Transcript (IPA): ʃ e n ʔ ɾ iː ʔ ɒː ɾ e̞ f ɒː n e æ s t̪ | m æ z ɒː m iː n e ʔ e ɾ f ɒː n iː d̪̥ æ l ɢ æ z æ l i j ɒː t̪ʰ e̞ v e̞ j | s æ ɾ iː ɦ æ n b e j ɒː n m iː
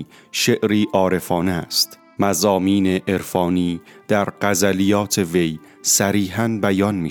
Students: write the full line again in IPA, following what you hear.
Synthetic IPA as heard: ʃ e ʔ ɾ iː ʔ ɒː ɾ e̞ f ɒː n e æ s t̪ | m æ z ɒː m iː n e ʔ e ɾ f ɒː n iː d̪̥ æ ɾ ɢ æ z æ l i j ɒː t̪ʰ e̞ v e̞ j | s æ ɾ iː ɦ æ n b æ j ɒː n m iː